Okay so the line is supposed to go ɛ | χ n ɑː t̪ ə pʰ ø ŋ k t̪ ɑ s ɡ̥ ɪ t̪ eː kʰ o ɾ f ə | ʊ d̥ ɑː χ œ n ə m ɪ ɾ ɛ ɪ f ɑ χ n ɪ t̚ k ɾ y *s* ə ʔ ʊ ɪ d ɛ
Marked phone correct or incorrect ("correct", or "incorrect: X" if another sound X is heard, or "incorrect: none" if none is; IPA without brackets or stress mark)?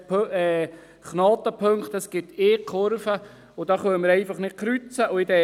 incorrect: t͡s